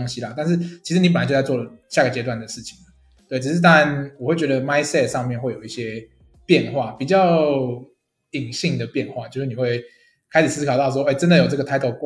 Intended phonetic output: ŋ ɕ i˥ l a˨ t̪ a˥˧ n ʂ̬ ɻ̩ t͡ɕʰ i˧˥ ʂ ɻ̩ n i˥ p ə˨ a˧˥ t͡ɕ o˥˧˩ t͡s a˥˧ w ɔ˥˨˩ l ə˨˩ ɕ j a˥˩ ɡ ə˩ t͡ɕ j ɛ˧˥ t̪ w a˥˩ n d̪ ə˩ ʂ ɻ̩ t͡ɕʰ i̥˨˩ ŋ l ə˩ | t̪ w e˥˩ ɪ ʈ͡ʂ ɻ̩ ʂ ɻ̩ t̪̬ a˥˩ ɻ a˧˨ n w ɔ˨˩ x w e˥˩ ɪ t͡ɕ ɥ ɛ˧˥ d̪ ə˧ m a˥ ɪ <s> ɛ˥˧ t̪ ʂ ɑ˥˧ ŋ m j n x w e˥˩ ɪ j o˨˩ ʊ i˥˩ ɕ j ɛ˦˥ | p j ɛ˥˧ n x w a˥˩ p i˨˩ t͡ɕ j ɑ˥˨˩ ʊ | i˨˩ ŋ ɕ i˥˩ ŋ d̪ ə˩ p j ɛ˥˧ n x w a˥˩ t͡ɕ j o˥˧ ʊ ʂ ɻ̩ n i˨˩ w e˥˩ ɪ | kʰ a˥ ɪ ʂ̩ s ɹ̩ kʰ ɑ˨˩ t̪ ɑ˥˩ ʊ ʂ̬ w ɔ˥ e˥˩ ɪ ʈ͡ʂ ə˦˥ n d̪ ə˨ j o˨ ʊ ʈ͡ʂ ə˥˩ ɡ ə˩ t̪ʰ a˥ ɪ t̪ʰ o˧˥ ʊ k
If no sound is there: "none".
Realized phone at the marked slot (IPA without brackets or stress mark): s